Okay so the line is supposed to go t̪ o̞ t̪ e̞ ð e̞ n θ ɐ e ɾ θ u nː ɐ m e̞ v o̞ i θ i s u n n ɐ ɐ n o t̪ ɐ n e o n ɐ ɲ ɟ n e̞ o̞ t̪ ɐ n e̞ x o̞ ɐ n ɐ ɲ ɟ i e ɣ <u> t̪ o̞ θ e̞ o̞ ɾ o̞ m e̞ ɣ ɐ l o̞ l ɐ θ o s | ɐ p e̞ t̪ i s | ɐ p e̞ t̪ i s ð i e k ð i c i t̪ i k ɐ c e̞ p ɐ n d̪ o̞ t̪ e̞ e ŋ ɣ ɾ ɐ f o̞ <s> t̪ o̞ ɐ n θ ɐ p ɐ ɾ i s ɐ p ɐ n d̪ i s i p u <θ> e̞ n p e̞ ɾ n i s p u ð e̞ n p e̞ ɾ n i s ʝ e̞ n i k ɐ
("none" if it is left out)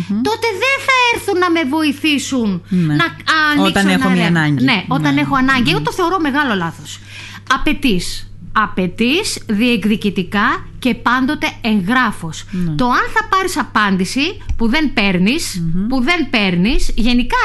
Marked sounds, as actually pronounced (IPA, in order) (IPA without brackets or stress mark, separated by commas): o, s, ð